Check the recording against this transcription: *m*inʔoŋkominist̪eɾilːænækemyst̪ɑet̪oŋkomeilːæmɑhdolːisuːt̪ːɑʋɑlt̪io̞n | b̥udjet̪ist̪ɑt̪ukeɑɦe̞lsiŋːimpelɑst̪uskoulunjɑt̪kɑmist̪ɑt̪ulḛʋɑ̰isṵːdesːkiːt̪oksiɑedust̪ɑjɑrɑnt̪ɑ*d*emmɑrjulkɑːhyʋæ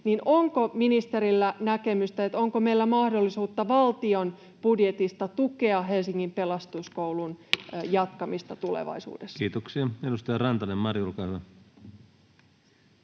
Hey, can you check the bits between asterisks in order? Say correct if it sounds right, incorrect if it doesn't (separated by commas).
incorrect, incorrect